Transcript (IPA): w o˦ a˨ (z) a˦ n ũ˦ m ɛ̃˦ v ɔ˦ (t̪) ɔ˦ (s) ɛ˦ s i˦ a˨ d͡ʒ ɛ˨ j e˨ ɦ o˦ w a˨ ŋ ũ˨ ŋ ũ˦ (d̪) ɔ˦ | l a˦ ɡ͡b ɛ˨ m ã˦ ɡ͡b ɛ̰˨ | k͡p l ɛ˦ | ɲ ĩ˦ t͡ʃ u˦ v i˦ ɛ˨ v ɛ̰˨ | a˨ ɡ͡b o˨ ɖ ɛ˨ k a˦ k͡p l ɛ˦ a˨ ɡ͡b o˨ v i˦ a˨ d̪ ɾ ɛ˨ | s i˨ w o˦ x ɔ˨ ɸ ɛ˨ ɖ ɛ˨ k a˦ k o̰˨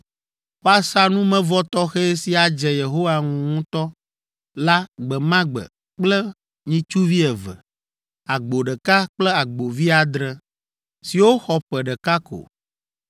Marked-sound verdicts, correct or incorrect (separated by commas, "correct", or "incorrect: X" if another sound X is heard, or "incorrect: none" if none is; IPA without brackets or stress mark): incorrect: s, correct, incorrect: x, incorrect: t̪